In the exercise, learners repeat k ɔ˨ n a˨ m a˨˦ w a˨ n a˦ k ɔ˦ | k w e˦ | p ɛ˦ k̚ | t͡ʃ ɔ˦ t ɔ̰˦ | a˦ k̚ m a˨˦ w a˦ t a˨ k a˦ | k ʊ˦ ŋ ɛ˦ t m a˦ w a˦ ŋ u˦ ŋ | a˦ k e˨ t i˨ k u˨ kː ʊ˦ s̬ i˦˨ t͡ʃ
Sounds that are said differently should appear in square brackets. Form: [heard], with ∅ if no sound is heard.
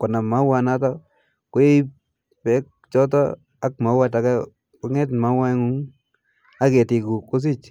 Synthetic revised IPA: k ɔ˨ n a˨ m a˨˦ w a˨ n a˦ [t] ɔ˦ | k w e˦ | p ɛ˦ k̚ | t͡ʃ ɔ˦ t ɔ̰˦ | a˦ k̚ m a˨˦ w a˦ t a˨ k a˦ | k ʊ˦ ŋ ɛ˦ t m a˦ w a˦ ŋ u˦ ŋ | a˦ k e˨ t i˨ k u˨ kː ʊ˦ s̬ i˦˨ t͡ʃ